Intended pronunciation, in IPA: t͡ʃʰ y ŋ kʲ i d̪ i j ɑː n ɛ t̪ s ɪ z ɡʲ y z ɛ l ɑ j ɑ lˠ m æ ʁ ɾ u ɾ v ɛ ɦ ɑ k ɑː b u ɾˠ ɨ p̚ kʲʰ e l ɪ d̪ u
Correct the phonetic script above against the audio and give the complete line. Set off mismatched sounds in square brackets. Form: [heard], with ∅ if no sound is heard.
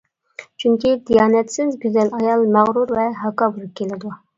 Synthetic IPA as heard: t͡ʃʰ y ŋ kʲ i d̪ i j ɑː n ɛ t̪ s ɪ z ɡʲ y z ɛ l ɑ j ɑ lˠ m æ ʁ ɾ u ɾ v ɛ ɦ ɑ k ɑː b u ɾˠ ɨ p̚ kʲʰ e l ɪ d̪ u